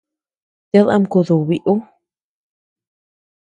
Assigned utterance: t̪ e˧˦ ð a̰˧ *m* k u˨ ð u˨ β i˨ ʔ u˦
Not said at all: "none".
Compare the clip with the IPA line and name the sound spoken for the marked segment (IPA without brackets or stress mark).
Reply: m